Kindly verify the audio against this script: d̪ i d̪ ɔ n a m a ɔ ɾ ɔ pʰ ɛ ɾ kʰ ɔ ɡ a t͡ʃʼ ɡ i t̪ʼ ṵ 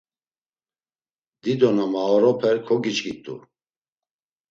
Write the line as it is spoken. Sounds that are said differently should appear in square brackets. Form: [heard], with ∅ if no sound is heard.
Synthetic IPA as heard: d̪ i d̪ ɔ n a m a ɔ ɾ ɔ pʰ ɛ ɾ kʰ ɔ ɡ [i] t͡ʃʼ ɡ i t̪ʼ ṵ